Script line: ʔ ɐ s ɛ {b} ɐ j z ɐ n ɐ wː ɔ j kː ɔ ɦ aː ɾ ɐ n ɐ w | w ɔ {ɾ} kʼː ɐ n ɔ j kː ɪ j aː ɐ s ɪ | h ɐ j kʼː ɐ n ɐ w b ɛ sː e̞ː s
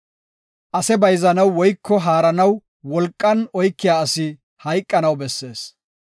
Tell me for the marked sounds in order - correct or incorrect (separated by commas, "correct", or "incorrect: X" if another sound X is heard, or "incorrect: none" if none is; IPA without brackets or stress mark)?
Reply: correct, incorrect: l